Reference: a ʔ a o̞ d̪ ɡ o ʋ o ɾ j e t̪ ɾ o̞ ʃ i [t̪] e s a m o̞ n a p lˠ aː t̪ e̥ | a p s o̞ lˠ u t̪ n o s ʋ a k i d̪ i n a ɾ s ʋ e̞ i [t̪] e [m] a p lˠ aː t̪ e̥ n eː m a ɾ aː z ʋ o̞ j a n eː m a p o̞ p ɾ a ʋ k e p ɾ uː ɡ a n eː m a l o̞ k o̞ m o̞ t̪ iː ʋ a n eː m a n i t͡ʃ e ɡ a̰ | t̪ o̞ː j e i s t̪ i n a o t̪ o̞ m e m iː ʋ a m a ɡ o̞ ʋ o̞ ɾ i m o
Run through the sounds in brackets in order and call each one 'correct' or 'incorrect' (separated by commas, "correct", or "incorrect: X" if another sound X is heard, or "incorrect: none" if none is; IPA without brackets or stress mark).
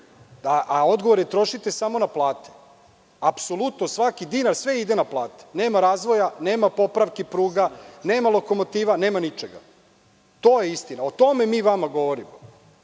correct, incorrect: d̪, incorrect: n